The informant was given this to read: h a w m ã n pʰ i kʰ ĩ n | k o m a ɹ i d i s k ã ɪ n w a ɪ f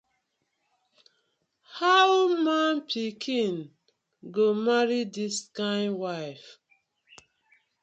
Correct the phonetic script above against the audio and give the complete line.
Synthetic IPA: h a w m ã n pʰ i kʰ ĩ n | ɡ o m a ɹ i d i s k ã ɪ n w a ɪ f